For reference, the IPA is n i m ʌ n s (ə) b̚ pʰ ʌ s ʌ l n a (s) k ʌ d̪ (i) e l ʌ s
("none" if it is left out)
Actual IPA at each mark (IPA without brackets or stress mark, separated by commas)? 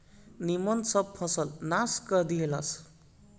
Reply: ʌ, s, i